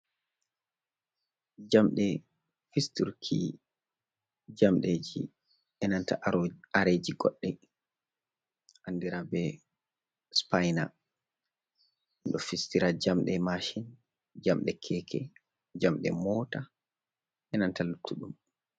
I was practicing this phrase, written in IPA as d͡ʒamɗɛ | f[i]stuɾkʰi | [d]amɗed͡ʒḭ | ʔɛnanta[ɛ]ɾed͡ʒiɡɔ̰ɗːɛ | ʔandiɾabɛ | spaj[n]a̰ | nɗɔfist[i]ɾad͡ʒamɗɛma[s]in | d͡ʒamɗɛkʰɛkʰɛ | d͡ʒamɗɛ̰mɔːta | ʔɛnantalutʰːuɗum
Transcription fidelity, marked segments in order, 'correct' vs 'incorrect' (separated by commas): correct, incorrect, incorrect, correct, correct, incorrect